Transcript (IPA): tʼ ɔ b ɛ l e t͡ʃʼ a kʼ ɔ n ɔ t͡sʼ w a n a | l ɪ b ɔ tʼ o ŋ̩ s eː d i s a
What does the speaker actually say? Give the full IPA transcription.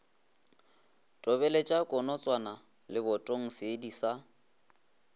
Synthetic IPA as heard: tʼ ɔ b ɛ l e t͡ʃʼ a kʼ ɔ n ɔ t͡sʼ w a n a | l ɪ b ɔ tʼ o ŋ̩ s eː d i s a